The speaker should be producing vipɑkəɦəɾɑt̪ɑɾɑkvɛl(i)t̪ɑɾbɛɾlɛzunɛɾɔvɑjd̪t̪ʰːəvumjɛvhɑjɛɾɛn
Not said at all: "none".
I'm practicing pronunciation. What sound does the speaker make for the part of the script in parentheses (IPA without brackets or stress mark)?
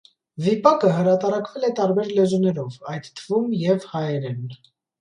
ɛ